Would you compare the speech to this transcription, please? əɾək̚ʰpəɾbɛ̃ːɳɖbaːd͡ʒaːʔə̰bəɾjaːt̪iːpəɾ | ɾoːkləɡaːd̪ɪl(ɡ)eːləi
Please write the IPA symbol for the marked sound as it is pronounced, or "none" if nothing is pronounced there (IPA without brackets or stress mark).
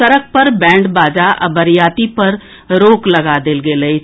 ɡ